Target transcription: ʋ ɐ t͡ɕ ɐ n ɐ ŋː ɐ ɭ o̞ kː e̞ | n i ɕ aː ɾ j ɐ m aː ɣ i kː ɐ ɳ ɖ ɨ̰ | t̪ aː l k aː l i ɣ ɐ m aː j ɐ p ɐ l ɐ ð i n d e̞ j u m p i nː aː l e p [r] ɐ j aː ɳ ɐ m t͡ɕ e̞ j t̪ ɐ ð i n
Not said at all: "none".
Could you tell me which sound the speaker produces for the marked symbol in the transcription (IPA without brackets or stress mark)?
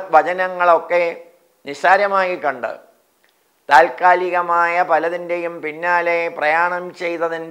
r